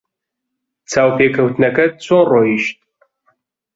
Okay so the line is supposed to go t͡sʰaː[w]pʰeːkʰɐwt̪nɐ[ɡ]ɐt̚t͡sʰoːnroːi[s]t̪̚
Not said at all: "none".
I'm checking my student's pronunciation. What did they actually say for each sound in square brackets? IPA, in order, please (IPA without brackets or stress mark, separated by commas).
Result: w, k, ʃ